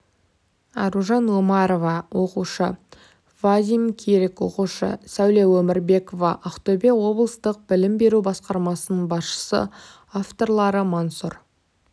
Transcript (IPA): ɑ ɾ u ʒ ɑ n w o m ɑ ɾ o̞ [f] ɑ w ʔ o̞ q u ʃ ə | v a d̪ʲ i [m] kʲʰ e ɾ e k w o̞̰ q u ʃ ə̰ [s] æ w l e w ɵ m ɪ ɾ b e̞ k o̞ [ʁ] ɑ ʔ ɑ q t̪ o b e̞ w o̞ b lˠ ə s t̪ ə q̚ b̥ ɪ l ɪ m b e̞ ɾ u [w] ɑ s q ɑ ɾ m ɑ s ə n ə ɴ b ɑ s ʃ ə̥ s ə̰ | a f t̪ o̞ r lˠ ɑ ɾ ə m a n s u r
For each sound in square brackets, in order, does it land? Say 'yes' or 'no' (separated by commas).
no, yes, yes, no, no